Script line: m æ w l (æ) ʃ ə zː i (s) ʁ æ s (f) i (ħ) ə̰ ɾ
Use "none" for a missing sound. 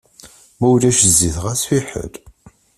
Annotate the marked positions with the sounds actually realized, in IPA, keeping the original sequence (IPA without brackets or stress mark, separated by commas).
æ, θ, f, ħ